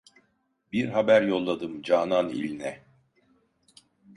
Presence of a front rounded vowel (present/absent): absent